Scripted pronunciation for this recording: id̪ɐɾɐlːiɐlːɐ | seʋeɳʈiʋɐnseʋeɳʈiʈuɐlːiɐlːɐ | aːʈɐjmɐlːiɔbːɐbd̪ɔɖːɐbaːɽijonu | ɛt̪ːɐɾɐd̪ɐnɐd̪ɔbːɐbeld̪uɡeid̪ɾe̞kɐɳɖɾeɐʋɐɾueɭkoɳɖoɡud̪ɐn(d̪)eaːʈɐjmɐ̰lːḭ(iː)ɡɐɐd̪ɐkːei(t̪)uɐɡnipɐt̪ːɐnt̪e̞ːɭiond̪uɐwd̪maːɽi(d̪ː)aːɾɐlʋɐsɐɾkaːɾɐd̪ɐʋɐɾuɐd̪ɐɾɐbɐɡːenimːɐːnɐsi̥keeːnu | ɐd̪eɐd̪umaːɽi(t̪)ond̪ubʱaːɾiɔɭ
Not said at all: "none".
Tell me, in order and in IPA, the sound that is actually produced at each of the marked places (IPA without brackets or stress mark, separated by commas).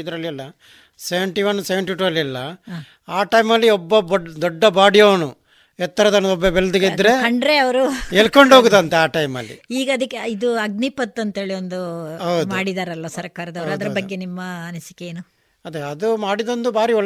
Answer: t̪, iː, d̪, d̪, d̪